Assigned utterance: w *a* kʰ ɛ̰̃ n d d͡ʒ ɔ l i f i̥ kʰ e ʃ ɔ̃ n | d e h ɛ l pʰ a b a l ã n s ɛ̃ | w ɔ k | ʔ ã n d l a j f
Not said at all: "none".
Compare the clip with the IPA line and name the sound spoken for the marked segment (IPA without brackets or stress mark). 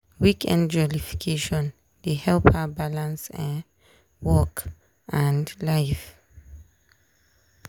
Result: i